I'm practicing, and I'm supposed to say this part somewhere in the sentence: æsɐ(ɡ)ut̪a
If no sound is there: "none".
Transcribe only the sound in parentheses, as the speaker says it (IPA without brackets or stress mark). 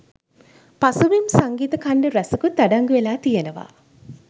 k